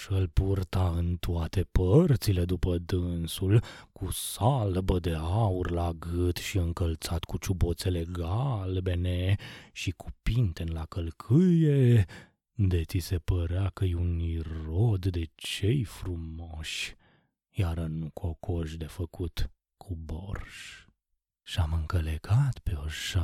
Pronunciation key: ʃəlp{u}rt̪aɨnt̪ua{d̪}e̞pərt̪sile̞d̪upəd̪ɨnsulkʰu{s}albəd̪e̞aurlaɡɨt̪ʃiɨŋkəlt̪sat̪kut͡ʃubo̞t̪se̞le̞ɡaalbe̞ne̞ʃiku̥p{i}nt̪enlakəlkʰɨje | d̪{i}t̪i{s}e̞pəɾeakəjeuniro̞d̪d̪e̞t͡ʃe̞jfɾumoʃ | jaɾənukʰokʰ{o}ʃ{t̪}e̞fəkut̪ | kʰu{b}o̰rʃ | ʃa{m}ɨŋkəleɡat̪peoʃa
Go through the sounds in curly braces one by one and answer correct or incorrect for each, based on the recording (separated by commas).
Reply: correct, incorrect, correct, correct, incorrect, correct, correct, incorrect, correct, correct